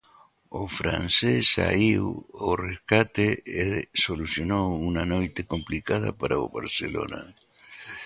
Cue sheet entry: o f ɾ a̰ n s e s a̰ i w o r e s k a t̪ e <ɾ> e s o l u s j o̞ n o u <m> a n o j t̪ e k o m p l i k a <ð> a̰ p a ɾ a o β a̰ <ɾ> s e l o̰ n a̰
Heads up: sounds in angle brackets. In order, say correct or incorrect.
incorrect: none, incorrect: n, correct, correct

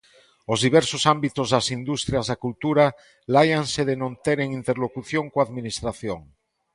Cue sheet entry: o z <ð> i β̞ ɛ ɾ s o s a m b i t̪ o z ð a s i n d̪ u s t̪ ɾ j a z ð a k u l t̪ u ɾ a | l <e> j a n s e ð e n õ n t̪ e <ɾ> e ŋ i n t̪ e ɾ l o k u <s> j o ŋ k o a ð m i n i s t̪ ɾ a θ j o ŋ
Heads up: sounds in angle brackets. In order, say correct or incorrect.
correct, incorrect: a, correct, incorrect: θ

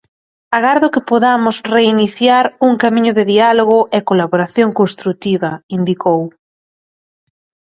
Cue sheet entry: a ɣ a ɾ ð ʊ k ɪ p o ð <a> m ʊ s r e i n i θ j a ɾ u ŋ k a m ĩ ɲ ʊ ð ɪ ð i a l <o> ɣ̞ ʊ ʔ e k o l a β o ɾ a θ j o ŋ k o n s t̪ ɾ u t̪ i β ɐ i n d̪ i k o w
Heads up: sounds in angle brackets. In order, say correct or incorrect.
correct, correct

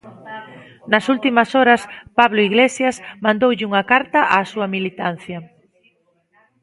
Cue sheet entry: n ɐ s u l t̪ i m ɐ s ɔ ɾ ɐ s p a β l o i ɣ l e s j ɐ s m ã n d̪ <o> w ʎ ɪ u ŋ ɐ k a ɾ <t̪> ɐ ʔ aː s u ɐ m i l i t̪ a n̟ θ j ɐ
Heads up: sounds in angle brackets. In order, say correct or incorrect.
correct, correct

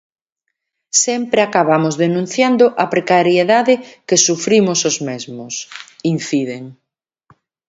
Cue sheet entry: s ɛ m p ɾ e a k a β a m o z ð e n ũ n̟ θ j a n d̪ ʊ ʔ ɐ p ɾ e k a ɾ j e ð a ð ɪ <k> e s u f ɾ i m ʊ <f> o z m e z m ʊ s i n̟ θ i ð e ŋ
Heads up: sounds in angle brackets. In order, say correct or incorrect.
correct, incorrect: s

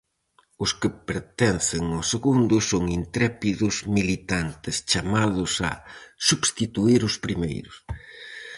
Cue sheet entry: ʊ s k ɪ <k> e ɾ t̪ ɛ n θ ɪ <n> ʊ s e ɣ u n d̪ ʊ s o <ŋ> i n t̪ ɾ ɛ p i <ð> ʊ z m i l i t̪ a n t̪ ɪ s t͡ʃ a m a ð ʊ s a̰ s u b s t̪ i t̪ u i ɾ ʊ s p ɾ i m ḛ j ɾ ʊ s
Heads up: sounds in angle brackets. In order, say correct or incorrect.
incorrect: p, incorrect: ŋ, correct, correct

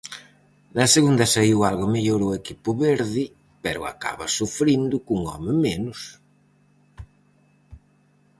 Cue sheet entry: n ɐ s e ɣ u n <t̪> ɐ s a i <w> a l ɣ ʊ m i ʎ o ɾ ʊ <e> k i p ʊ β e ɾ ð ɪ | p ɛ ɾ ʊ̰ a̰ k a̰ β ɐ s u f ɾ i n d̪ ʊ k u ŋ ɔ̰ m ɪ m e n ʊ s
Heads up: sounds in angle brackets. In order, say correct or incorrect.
incorrect: d̪, correct, correct

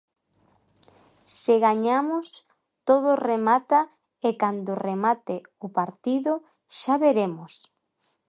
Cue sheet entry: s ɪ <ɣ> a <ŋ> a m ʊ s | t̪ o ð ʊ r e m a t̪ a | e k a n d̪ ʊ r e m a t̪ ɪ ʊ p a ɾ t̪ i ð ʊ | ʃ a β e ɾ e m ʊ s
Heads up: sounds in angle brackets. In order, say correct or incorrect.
correct, incorrect: ɲ

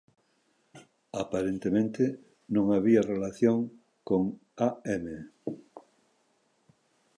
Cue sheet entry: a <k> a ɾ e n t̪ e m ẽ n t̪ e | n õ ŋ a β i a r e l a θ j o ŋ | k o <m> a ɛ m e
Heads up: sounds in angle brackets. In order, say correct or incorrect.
incorrect: p, incorrect: ŋ

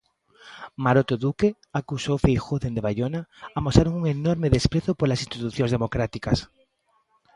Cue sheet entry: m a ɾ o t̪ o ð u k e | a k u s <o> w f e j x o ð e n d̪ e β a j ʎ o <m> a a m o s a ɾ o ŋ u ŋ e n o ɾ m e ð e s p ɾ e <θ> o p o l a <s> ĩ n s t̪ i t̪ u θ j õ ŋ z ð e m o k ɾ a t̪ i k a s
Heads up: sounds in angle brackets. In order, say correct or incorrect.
correct, incorrect: n, correct, correct

